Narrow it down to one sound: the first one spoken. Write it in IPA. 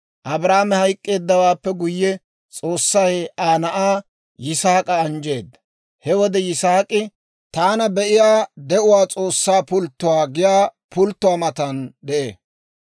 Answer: ʔ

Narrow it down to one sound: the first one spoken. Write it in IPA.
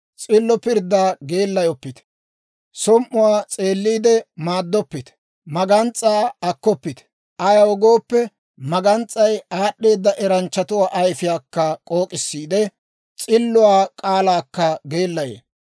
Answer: t͡sʼ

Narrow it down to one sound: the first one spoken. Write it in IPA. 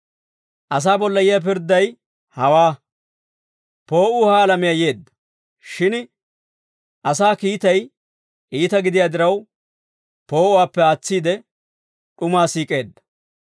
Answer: ʔ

